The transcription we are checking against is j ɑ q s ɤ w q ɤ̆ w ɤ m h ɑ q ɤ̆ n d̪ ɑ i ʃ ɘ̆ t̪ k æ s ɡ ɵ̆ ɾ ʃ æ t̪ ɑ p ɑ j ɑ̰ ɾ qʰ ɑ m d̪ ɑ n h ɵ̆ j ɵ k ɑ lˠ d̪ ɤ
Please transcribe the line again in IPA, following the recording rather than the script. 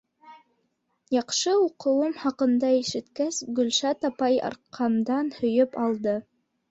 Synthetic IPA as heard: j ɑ q ʃ ɤ u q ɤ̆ w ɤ m h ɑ q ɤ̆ n d̪ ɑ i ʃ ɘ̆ t̪ k æ s ɡ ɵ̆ l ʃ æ t̪ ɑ p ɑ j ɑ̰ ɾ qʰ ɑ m d̪ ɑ n h ɵ̆ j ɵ p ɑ lˠ d̪ ɤ

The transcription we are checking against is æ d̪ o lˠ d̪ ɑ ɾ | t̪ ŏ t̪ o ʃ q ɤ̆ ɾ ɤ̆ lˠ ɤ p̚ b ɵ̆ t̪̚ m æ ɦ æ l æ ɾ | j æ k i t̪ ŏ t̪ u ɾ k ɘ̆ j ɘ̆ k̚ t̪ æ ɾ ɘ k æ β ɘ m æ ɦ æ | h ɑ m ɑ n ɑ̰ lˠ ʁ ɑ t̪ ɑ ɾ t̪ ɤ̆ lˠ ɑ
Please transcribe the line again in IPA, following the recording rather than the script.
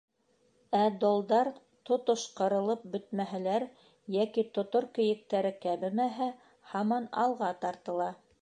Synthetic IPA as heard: æ d̪ o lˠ d̪ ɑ ɾ | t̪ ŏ t̪ o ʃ q ɤ̆ ɾ ɤ̆ lˠ ɤ p̚ b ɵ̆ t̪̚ m æ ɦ æ l æ ɾ | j æ k i t̪ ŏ t̪ o ɾ k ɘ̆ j ɘ̆ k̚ t̪ æ ɾ ɘ k æ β ɘ m æ ɦ æ | h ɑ m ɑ n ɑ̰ lˠ ʁ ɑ t̪ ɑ ɾ t̪ ɤ̆ lˠ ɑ

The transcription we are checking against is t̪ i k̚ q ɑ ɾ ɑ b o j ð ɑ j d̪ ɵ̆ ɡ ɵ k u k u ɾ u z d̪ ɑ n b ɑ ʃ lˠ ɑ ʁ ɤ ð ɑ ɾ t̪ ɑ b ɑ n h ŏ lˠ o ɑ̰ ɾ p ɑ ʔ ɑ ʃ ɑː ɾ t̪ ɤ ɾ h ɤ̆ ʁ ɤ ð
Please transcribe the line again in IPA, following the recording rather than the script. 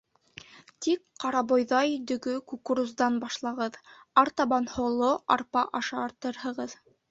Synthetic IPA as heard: t̪ i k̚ q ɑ ɾ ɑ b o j ð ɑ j d̪ ɵ̆ ɡ ɵ k u k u ɾ u z d̪ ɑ n b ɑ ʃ lˠ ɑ ʁ ɤ ð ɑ ɾ t̪ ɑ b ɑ n h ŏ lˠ o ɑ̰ ɾ p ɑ ʔ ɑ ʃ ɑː ɾ t̪ ɤ ɾ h ɤ̆ ʁ ɤ ð

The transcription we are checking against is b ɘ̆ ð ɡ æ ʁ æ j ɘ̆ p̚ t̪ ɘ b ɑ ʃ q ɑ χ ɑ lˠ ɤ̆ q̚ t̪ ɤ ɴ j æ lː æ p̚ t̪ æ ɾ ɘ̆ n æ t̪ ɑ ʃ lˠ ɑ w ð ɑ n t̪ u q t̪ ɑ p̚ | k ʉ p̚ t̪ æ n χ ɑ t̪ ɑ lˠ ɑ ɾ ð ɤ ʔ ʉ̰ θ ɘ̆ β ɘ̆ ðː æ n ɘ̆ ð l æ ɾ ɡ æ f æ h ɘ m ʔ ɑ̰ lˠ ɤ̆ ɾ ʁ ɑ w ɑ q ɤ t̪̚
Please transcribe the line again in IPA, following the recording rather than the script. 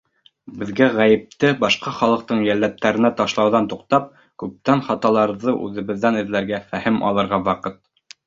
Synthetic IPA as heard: b ɘ̆ ð ɡ æ ʁ æ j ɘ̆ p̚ t̪ ɘ b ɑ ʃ q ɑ χ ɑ lˠ ɤ̆ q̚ t̪ ɤ ɴ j æ lː æ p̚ t̪ æ ɾ ɘ̆ n æ t̪ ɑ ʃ lˠ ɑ w ð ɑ n t̪ u q t̪ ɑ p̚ | k ʉ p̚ t̪ æ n χ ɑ t̪ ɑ lˠ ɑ ɾ ð ɤ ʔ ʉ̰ ð ɘ̆ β ɘ̆ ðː æ n ɘ̆ ð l æ ɾ ɡ æ f æ h ɘ m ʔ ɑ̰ lˠ ɤ̆ ɾ ʁ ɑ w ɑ q ɤ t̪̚

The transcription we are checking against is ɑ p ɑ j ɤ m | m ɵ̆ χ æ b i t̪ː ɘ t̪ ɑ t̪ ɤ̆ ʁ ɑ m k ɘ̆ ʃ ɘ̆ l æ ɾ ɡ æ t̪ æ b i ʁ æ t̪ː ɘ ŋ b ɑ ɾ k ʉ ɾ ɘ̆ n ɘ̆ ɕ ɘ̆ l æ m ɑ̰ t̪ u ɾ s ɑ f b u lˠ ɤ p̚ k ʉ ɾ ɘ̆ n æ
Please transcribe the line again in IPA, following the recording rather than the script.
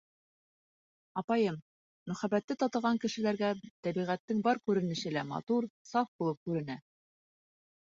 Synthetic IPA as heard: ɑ p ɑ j ɤ m | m ɵ̆ χ æ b æ t̪ː ɘ t̪ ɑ t̪ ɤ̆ ʁ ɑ ŋ k ɘ̆ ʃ ɘ̆ l æ ɾ ɡ æ t̪ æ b i ʁ æ t̪ː ɘ ŋ b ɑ ɾ k ʉ ɾ ɘ̆ n ɘ̆ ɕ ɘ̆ l æ m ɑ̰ t̪ u ɾ s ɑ f b u lˠ ɤ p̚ k ʉ ɾ ɘ̆ n æ

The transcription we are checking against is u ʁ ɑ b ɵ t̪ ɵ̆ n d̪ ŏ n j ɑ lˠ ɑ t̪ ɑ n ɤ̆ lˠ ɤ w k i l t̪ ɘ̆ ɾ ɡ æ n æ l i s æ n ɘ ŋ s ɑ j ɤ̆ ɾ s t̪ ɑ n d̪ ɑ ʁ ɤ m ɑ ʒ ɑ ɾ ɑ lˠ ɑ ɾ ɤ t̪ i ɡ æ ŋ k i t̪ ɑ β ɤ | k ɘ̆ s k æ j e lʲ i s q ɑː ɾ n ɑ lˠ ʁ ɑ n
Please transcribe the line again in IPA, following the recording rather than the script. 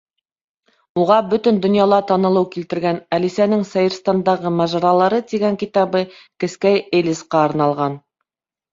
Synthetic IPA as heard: u ʁ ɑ b ɵ t̪ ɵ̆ n d̪ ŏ n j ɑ lˠ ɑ t̪ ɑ n ɤ̆ lˠ ɤ w k i l t̪ ɘ̆ ɾ ɡ æ n æ l i s æ n ɘ ŋ s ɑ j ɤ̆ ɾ s t̪ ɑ n d̪ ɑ ʁ ɤ m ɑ ʒ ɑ ɾ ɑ lˠ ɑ ɾ ɤ t̪ i ɡ æ ŋ k i t̪ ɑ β ɤ | k ɘ̆ s k æ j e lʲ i s q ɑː ɾ n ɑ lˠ ʁ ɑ n

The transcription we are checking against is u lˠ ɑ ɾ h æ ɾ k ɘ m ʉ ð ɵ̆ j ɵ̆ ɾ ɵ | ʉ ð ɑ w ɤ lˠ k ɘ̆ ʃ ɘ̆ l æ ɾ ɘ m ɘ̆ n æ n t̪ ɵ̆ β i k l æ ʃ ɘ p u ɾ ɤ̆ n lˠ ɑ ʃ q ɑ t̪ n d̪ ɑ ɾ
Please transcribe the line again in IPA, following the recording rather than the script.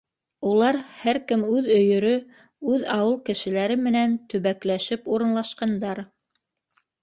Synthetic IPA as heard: u lˠ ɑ ɾ h æ ɾ k ɘ m ʉ ð ɵ̆ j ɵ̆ ɾ ɵ | ʉ ð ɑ w ɤ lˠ k ɘ̆ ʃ ɘ̆ l æ ɾ ɘ m ɘ̆ n æ n t̪ ɵ̆ β æ k l æ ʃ ɘ p u ɾ ɤ̆ n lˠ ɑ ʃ q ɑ n d̪ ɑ ɾ

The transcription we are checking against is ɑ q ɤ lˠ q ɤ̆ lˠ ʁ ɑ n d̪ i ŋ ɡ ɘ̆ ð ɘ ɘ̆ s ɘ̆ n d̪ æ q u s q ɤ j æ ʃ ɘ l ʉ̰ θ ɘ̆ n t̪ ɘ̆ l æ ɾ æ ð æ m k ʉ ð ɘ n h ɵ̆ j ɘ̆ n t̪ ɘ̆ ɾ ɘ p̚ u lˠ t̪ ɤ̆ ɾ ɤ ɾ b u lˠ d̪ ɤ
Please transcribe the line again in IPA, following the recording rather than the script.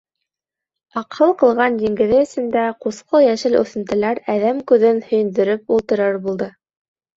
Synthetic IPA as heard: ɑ q ɤ lˠ q ɤ̆ lˠ ʁ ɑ n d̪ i ŋ ɡ ɘ̆ ð ɘ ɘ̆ s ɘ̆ n d̪ æ q u s q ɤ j æ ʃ ɘ l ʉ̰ θ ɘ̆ n t̪ ɘ̆ l æ ɾ æ ð æ m k ʉ ð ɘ n h ɵ̆ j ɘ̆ n d̪ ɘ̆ ɾ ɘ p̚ u lˠ t̪ ɤ̆ ɾ ɤ ɾ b u lˠ d̪ ɤ

